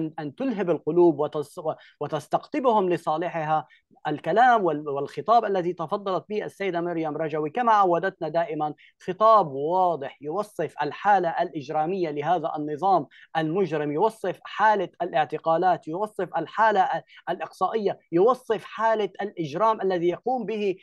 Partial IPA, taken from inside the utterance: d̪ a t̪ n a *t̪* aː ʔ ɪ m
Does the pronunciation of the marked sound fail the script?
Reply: yes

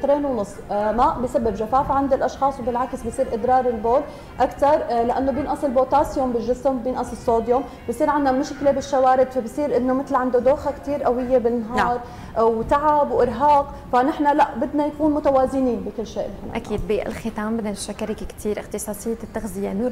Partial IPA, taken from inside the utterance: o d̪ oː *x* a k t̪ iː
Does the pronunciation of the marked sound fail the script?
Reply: no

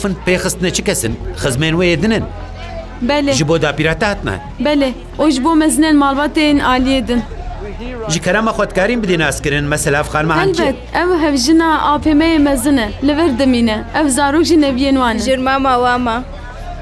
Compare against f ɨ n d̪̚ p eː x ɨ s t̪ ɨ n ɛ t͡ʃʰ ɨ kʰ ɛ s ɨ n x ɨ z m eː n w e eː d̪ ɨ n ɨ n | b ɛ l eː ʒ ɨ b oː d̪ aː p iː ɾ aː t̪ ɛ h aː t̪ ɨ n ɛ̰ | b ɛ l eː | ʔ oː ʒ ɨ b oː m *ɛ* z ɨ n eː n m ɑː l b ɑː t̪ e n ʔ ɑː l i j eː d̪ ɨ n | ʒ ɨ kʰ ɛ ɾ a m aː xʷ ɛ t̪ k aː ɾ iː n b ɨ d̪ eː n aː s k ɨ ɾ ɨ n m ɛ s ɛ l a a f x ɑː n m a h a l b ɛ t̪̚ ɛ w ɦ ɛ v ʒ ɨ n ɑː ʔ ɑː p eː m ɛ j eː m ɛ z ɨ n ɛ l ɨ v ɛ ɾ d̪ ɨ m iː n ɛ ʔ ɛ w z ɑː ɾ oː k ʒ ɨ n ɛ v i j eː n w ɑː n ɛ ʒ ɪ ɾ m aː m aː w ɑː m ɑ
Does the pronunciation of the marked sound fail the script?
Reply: no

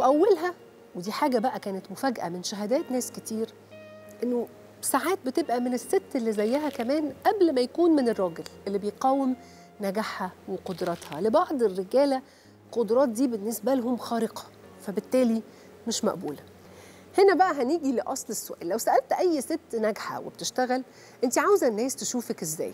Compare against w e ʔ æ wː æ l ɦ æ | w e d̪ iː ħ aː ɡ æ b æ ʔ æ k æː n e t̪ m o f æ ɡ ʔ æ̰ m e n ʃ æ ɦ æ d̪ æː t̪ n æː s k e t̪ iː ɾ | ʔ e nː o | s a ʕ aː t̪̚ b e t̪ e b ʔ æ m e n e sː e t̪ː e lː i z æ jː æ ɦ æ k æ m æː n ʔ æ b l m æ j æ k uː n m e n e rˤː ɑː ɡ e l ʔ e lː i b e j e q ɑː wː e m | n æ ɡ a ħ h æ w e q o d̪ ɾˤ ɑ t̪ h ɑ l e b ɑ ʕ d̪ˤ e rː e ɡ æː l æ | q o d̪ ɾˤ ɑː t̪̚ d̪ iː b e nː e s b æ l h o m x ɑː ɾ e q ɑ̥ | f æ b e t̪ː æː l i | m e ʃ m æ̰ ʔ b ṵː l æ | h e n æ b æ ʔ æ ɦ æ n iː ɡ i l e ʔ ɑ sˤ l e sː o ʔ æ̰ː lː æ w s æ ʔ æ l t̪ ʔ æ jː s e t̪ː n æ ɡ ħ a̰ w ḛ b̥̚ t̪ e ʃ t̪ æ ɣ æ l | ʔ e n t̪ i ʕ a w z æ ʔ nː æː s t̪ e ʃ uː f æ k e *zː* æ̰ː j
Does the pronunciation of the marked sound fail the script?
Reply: no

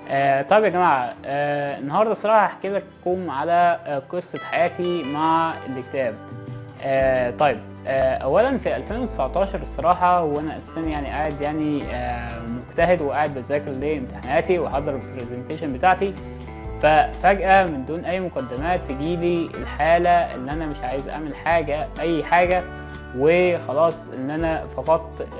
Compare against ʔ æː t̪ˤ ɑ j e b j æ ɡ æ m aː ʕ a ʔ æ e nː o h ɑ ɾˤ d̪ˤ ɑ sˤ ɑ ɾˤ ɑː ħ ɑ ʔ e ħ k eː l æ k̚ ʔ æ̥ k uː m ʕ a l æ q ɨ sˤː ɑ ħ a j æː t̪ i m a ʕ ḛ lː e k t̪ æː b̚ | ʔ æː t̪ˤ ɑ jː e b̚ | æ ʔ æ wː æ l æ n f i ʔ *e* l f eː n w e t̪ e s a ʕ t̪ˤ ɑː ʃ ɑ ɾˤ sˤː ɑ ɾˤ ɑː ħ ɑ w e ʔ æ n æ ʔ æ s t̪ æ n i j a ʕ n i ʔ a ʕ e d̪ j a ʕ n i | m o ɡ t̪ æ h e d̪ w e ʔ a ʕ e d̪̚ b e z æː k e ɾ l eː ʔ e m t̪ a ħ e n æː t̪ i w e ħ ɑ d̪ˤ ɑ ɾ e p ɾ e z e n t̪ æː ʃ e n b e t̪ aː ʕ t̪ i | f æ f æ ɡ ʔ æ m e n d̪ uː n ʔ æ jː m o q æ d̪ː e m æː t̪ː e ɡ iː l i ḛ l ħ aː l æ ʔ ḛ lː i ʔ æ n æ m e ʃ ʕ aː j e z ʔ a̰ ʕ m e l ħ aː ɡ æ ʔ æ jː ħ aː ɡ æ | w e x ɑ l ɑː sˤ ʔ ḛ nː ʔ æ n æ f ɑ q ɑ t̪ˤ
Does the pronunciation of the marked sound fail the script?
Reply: yes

